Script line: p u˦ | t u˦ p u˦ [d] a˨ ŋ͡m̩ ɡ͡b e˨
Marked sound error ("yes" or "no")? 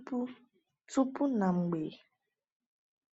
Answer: yes